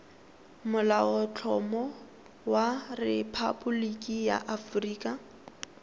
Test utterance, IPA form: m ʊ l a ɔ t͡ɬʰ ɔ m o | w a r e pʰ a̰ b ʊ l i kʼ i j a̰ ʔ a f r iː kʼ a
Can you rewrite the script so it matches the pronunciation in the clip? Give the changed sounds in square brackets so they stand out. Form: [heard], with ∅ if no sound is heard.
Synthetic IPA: m ʊ l a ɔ t͡ɬʰ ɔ m [ɔ] | w a r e pʰ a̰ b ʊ l i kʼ i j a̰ ʔ a f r iː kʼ a